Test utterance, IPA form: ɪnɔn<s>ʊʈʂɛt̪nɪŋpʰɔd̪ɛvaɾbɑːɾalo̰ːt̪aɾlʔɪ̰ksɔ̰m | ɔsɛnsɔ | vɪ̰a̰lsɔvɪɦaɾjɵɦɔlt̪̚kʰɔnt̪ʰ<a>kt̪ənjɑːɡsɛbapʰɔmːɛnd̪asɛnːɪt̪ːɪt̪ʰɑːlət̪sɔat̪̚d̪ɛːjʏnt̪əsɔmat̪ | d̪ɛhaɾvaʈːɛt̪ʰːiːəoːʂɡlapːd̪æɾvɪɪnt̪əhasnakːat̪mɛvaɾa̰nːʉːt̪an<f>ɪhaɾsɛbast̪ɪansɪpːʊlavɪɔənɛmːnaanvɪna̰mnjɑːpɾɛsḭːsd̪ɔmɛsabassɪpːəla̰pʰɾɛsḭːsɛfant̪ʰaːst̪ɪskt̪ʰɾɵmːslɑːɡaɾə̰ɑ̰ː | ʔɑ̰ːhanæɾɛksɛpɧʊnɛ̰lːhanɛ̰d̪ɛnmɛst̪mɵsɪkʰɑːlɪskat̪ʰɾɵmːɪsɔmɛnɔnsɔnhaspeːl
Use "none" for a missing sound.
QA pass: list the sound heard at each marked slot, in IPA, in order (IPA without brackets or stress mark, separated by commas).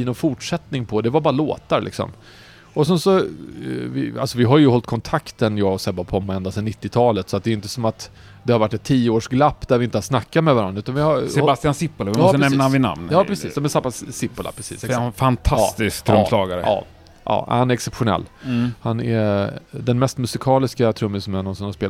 f, a, v